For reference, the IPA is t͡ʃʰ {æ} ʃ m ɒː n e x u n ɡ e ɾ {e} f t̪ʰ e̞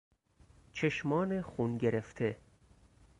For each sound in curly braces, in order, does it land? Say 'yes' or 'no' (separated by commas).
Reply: no, yes